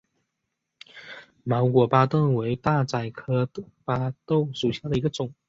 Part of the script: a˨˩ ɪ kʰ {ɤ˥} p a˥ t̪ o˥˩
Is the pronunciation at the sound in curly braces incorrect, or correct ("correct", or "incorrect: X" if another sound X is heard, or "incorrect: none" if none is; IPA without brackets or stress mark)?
correct